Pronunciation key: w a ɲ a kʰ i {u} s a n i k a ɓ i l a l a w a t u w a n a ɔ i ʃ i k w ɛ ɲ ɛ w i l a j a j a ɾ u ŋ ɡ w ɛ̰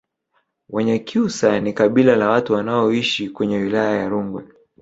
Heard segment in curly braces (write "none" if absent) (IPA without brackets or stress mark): u